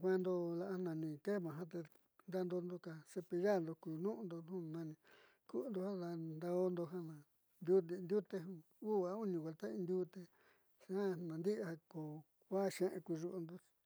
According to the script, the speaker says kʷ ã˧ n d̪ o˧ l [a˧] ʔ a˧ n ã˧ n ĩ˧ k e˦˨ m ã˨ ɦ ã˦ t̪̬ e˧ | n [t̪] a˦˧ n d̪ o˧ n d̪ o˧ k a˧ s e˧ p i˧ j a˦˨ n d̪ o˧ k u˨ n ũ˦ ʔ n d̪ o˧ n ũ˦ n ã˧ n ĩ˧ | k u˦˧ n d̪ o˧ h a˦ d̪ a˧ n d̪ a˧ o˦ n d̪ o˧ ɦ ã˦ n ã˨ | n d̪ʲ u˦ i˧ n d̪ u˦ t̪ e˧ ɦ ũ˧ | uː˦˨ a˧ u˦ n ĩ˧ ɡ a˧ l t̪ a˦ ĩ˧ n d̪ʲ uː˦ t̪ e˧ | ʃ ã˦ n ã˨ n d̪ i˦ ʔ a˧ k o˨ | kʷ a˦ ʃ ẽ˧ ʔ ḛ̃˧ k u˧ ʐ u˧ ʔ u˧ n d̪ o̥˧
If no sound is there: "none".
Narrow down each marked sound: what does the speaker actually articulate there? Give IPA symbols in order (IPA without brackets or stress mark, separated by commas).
a˧, d̪